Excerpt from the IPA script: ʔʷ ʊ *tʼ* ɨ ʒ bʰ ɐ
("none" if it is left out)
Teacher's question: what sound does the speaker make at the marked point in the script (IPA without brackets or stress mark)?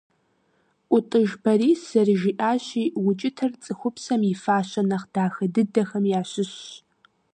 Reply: tʼ